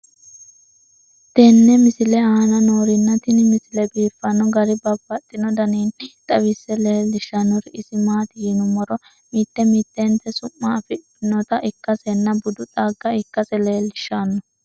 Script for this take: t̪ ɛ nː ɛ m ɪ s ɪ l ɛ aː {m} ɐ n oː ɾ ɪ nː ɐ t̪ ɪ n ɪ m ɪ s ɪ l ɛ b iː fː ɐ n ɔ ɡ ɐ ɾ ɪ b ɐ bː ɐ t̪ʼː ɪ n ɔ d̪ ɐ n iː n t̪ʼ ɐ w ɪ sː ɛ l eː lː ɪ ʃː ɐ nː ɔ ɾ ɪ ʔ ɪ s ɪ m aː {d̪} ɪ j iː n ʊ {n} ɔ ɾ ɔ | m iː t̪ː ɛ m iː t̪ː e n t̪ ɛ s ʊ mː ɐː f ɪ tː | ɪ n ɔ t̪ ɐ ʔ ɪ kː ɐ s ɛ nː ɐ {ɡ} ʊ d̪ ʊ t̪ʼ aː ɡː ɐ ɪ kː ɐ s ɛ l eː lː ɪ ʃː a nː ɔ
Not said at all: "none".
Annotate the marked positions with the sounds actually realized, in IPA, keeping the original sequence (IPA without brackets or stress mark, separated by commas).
n, t̪, m, b